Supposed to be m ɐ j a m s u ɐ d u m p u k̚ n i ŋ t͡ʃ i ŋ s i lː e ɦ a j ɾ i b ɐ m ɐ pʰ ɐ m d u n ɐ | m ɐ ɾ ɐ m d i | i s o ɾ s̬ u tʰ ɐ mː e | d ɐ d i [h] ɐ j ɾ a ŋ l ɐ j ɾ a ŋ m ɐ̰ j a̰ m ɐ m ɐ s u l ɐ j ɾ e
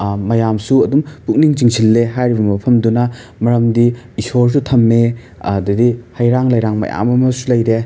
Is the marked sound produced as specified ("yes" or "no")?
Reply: yes